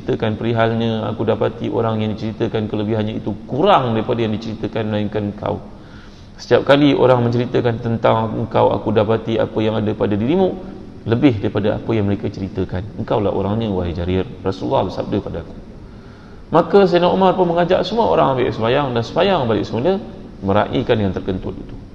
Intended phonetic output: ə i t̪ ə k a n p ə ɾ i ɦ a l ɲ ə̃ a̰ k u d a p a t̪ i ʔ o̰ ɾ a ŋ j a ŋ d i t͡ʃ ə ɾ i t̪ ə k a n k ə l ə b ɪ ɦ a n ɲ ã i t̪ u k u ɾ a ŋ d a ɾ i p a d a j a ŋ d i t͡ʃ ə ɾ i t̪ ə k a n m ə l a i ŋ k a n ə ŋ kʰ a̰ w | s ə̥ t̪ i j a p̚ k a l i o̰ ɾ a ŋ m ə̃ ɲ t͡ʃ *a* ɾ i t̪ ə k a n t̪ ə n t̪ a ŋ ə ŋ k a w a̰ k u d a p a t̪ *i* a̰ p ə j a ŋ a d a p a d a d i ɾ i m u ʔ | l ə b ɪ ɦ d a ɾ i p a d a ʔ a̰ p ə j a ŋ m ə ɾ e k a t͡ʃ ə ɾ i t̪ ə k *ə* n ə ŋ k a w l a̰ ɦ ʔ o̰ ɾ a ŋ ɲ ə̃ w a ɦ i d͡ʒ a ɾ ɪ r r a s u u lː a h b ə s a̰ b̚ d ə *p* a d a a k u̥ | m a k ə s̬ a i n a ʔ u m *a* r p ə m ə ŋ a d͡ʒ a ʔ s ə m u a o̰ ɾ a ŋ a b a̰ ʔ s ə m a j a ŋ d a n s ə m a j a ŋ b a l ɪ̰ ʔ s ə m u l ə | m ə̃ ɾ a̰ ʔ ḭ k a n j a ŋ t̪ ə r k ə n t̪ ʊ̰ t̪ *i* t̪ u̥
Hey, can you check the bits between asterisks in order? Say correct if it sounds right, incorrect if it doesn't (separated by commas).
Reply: incorrect, correct, incorrect, correct, correct, correct